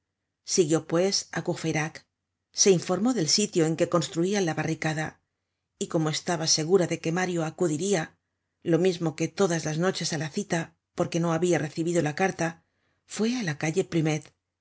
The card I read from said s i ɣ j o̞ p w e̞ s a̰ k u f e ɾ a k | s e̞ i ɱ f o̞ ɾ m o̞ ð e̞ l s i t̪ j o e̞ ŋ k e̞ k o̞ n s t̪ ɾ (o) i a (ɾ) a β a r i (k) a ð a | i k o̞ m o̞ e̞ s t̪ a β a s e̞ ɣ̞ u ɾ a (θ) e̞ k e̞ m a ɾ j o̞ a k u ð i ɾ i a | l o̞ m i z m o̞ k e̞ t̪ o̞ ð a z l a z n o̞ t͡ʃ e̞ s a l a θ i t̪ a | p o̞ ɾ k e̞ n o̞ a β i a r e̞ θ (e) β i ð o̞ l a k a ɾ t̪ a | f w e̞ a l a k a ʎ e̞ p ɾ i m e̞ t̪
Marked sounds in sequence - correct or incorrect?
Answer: incorrect, incorrect, correct, incorrect, incorrect

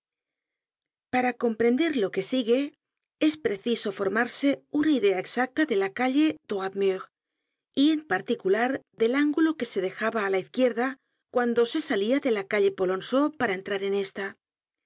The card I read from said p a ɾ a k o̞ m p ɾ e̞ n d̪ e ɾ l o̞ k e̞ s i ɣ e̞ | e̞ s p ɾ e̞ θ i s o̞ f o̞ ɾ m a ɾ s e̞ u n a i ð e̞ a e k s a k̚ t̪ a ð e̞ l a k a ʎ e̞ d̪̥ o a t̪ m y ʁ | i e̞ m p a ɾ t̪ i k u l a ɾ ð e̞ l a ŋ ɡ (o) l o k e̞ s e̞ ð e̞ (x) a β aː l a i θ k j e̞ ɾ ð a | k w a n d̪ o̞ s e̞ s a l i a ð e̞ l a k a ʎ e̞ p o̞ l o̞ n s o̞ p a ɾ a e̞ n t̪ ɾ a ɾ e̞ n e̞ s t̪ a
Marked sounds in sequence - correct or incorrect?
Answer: incorrect, correct

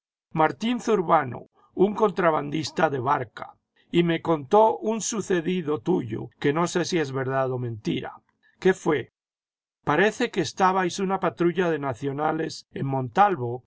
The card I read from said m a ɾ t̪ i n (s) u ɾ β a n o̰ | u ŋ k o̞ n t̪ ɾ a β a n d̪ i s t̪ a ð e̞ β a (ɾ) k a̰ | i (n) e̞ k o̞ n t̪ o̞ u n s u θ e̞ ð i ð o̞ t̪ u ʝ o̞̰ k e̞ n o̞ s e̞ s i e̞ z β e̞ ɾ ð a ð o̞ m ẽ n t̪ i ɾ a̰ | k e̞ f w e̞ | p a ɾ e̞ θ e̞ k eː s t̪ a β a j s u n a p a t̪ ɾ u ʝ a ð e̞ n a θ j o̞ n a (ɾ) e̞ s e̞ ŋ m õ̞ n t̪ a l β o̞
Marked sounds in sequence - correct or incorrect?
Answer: incorrect, correct, incorrect, incorrect

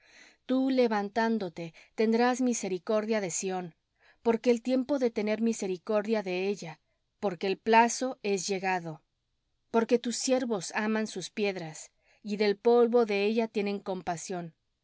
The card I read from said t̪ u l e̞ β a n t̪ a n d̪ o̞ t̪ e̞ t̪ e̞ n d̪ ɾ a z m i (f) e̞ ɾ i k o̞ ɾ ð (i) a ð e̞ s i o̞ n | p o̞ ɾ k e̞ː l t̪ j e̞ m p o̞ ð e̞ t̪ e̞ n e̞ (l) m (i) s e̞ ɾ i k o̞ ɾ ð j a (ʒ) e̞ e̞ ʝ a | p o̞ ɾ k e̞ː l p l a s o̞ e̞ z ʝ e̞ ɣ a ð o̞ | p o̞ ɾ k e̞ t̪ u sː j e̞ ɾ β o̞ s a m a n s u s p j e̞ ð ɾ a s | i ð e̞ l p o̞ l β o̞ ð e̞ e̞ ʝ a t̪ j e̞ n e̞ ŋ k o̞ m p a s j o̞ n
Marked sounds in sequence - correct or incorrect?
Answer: incorrect, incorrect, incorrect, correct, incorrect

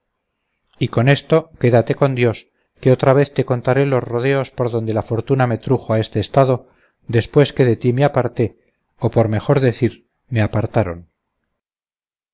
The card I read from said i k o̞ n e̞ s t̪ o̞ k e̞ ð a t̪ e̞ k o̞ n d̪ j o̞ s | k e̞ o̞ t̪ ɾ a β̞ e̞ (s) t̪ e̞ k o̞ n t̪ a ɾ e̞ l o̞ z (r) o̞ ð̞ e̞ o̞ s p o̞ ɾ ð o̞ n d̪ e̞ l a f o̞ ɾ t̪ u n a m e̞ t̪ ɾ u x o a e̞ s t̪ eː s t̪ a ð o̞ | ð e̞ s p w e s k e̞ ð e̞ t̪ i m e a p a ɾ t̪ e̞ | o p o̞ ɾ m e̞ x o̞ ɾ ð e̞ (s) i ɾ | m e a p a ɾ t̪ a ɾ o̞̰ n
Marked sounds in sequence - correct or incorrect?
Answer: incorrect, correct, incorrect

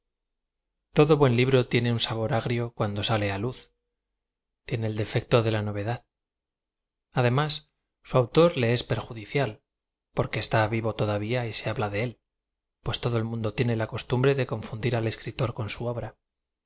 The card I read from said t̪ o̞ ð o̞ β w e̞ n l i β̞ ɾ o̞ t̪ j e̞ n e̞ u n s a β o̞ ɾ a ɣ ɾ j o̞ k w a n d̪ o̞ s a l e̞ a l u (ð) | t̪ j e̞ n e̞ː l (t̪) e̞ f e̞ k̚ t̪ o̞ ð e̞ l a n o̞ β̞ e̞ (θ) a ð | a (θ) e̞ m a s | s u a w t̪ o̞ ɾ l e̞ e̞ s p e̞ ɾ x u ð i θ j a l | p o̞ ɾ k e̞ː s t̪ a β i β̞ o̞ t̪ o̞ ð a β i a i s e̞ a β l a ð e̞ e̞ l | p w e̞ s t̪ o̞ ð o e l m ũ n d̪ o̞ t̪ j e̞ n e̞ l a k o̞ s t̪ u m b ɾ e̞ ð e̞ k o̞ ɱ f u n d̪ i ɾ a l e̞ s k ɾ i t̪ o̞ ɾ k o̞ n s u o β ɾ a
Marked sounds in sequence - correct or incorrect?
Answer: incorrect, incorrect, incorrect, incorrect

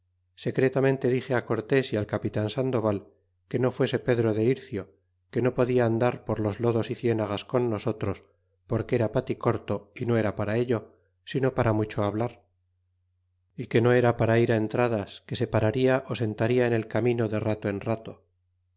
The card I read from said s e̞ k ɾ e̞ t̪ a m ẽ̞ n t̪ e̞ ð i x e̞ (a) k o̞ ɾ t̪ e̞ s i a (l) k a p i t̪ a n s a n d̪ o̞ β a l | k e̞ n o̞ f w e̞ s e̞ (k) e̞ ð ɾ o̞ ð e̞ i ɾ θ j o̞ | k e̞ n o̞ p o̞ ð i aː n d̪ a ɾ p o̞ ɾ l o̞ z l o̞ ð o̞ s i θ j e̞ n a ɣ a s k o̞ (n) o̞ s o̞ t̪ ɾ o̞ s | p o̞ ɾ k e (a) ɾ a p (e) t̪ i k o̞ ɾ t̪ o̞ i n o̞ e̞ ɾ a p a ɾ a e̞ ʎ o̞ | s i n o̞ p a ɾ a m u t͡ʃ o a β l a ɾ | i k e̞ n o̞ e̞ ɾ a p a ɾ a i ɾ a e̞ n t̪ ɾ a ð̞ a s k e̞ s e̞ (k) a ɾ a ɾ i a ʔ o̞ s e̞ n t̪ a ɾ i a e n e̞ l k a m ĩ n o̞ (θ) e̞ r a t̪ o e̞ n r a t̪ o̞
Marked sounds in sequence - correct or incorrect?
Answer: correct, correct, incorrect, incorrect, incorrect, incorrect, incorrect, incorrect

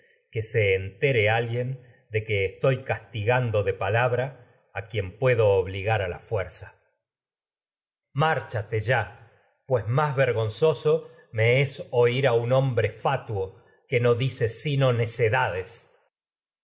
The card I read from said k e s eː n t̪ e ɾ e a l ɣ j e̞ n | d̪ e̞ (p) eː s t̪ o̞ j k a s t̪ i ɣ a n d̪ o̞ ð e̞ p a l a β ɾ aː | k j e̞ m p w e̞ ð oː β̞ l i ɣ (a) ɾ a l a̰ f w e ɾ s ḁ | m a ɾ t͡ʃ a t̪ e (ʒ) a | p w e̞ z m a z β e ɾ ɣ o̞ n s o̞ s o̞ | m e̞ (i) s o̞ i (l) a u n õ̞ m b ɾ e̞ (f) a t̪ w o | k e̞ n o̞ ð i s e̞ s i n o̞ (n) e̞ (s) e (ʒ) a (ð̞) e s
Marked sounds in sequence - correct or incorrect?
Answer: incorrect, correct, correct, incorrect, incorrect, correct, correct, correct, incorrect, correct

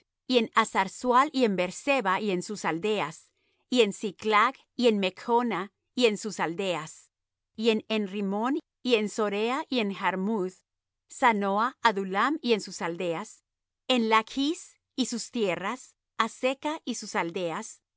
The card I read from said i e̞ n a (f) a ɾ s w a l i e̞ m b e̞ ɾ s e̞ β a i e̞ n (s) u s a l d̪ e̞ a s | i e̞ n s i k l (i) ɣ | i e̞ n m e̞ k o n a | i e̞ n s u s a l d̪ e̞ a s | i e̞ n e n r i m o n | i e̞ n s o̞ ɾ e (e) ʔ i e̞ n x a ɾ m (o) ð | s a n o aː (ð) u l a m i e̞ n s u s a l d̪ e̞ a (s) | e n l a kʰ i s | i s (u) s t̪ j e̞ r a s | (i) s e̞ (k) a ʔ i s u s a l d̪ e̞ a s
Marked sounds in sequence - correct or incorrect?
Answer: incorrect, correct, incorrect, incorrect, incorrect, correct, correct, correct, incorrect, correct

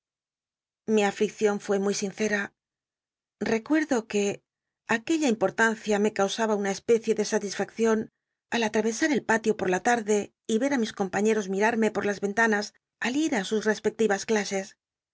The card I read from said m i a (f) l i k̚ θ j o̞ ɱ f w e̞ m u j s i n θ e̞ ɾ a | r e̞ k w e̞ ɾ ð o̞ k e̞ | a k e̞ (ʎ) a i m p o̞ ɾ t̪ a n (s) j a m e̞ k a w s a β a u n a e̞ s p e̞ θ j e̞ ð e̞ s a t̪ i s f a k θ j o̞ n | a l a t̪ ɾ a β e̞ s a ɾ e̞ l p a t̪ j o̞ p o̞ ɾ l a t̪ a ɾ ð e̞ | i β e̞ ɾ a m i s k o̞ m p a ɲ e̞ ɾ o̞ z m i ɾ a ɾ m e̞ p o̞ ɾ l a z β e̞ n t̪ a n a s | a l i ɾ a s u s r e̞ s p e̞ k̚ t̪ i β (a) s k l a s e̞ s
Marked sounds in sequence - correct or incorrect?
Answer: correct, correct, incorrect, correct

